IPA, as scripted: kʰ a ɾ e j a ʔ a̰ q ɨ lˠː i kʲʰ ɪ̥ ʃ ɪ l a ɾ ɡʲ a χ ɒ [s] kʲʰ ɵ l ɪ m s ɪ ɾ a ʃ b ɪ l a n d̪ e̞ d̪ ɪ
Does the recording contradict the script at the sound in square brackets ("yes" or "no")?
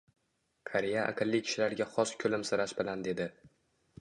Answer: no